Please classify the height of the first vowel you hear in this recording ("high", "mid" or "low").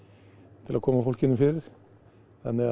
high